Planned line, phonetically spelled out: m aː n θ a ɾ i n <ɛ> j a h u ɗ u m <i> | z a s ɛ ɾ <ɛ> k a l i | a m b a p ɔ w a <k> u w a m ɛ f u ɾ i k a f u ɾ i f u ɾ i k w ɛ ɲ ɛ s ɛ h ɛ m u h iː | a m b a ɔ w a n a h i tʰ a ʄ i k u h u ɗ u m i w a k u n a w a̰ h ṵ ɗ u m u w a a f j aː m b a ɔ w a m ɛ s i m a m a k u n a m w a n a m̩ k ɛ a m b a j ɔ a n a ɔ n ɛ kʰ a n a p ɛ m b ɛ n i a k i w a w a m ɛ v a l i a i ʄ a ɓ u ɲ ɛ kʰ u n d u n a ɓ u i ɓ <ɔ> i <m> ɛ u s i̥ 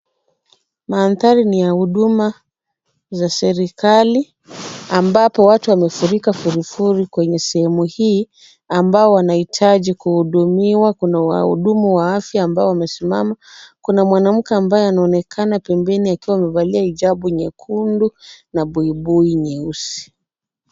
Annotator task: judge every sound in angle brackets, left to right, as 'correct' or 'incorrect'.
incorrect, incorrect, incorrect, incorrect, incorrect, incorrect

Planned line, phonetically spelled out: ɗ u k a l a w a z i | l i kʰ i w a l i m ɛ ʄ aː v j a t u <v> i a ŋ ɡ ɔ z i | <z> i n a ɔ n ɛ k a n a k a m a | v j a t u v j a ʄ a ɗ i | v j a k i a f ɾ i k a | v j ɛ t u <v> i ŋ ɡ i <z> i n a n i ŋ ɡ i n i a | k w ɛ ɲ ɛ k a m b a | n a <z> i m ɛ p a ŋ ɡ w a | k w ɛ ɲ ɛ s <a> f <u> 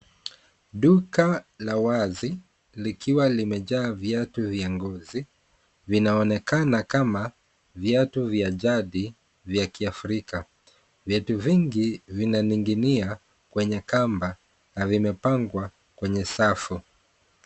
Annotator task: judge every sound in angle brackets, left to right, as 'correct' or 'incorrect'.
correct, incorrect, correct, incorrect, incorrect, correct, correct

